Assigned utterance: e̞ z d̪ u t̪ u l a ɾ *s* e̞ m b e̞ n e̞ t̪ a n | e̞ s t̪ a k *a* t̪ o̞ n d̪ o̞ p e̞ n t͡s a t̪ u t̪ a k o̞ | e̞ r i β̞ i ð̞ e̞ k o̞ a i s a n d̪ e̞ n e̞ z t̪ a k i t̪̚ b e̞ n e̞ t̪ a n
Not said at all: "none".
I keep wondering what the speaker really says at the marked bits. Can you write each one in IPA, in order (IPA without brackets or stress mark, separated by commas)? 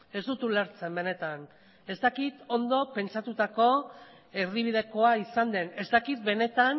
t͡s, i